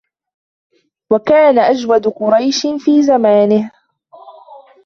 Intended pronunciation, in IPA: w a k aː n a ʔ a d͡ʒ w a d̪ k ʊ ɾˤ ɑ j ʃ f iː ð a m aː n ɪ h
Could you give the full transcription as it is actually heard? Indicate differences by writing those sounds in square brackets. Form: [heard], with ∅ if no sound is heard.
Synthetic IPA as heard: w a k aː n a ʔ a d͡ʒ w a d̪ [q] ʊ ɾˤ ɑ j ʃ f iː [z] a m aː n ɪ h